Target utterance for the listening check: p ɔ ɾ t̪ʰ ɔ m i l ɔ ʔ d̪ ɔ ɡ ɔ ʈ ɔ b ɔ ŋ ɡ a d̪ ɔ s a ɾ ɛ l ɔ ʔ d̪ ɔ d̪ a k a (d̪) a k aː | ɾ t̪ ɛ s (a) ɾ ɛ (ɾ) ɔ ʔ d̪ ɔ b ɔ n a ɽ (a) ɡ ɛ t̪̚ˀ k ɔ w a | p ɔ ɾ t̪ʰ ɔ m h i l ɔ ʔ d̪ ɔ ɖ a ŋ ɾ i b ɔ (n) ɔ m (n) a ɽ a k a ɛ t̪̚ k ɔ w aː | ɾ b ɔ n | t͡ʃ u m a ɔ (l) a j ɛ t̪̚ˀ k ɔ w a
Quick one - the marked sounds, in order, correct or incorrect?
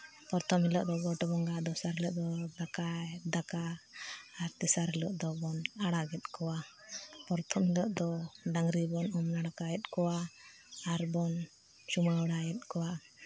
correct, correct, incorrect, correct, correct, correct, incorrect

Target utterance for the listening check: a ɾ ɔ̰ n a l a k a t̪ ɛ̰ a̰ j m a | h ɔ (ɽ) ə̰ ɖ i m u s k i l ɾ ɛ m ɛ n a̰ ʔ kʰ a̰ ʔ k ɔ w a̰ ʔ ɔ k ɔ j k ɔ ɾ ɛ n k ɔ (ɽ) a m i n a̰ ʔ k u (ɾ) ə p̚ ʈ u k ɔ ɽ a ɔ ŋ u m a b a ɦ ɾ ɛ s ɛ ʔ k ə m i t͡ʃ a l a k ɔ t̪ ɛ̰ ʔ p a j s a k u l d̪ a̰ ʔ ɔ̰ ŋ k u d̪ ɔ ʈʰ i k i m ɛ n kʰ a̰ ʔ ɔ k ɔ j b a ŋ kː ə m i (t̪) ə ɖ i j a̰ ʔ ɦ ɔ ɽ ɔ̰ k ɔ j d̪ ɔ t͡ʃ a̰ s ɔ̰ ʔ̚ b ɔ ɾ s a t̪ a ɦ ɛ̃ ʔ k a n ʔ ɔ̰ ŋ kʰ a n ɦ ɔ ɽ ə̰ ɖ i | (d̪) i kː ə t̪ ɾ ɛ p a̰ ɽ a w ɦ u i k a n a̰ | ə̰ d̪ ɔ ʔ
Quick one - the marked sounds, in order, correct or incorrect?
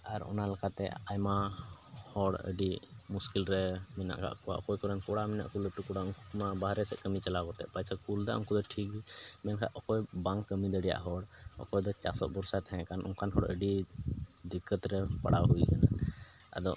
correct, correct, incorrect, incorrect, correct

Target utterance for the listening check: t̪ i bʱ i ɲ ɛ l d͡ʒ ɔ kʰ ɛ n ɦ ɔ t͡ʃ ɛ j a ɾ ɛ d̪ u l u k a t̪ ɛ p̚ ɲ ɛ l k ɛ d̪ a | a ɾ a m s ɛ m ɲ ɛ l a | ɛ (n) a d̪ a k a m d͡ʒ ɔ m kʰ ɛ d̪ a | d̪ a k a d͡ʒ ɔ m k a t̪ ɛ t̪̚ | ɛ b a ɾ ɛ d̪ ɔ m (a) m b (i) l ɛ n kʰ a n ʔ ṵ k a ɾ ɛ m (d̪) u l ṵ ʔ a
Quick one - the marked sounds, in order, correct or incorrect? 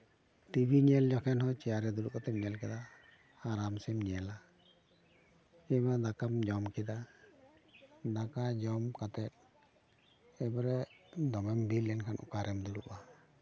incorrect, incorrect, correct, correct

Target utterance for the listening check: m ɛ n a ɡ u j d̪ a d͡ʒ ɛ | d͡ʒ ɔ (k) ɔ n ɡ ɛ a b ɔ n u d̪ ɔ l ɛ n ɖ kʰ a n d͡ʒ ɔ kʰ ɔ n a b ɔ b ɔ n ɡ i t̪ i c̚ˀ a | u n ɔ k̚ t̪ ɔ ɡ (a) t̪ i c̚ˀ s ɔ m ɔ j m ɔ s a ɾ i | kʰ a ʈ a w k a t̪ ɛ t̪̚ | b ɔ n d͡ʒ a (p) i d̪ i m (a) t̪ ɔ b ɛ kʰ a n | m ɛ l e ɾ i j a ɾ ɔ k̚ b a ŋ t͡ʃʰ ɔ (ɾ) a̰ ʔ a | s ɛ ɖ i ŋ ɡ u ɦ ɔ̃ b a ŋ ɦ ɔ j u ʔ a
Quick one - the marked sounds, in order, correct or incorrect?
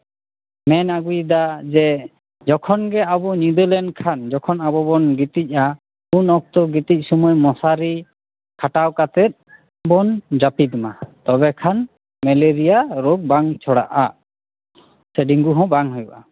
incorrect, incorrect, correct, correct, incorrect

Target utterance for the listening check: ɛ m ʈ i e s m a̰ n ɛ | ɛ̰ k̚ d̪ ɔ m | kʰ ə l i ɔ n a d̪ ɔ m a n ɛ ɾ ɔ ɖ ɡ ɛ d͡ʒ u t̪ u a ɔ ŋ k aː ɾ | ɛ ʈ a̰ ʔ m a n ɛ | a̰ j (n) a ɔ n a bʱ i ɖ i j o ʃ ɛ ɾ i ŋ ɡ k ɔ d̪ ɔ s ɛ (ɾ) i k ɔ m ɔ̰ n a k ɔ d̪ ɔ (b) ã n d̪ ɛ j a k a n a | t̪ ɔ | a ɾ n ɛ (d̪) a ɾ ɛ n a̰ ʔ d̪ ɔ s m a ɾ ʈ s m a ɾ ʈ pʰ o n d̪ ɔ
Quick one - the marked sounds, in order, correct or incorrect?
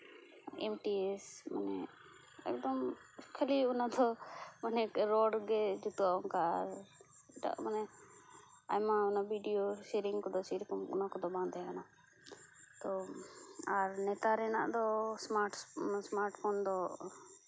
incorrect, correct, correct, incorrect

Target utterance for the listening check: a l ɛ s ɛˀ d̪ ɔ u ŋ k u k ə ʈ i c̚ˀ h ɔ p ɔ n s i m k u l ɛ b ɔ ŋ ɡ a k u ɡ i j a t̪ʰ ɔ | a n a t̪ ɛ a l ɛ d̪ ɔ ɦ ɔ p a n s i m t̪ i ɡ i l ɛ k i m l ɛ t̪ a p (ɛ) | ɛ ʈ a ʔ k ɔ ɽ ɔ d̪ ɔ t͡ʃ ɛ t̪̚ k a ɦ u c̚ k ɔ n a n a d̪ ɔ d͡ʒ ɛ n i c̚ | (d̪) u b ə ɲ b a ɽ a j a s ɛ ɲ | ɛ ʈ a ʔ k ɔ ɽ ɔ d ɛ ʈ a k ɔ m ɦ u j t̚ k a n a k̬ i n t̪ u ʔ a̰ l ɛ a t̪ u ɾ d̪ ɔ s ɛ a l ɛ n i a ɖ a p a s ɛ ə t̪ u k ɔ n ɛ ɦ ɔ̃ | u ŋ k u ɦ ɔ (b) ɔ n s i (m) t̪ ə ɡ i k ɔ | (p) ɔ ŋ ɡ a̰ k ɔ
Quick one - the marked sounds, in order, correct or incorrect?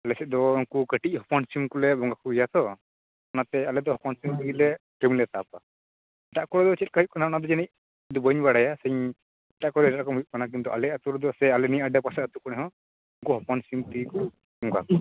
incorrect, correct, incorrect, correct, incorrect

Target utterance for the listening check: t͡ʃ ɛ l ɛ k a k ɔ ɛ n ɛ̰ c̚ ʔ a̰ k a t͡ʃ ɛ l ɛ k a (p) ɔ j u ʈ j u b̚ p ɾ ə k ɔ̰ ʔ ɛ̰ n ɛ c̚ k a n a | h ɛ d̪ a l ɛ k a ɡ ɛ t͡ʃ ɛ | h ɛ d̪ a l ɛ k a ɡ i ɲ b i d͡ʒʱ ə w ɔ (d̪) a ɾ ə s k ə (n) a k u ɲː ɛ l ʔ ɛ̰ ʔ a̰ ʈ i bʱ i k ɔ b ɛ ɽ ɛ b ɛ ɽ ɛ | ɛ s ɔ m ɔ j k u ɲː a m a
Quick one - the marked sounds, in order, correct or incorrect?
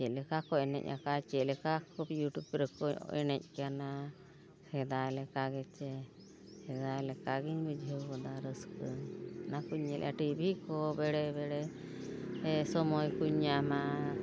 incorrect, correct, correct

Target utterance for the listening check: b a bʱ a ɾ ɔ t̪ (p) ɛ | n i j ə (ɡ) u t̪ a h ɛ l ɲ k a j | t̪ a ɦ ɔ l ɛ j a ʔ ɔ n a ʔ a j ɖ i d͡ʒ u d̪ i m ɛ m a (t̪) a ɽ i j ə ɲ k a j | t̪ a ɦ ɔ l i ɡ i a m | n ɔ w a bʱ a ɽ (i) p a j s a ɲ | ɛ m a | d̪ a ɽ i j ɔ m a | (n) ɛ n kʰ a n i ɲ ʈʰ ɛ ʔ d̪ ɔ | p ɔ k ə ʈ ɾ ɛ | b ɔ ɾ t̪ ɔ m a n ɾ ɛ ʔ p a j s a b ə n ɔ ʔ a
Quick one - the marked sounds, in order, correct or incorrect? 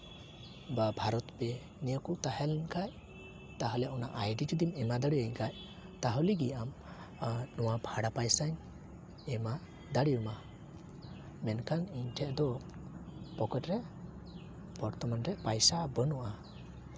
correct, incorrect, incorrect, incorrect, incorrect

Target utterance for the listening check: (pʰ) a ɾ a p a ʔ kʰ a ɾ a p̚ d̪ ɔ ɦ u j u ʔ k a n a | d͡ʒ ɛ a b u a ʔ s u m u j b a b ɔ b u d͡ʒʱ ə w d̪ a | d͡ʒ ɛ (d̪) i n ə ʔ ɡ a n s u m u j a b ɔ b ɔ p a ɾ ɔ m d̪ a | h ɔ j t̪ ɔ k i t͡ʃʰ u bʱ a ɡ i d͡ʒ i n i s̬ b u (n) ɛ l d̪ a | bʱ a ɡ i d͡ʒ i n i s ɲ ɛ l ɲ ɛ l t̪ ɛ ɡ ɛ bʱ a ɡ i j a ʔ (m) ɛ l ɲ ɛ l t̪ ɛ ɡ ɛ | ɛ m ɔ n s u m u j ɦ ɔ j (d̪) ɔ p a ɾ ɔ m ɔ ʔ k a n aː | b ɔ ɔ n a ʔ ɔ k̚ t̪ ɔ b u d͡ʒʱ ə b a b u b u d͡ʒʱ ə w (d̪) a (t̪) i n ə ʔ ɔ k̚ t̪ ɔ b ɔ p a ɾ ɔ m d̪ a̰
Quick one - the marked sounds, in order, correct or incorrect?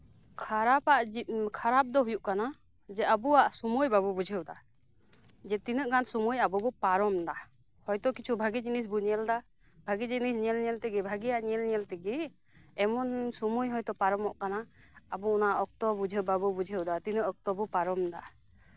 incorrect, incorrect, incorrect, incorrect, incorrect, correct, correct

